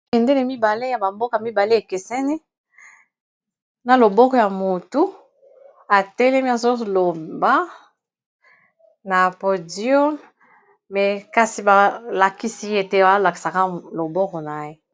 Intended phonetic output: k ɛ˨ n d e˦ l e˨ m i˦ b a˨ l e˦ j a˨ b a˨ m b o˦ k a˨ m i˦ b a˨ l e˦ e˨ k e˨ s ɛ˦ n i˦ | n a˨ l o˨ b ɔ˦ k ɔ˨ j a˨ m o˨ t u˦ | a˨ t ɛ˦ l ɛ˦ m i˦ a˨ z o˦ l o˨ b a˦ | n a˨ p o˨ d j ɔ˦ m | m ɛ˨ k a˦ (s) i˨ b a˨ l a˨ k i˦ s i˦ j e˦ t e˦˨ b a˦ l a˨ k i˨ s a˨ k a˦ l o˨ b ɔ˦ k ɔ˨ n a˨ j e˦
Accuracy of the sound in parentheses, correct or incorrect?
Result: correct